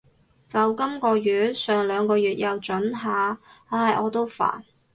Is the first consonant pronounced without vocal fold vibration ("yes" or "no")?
yes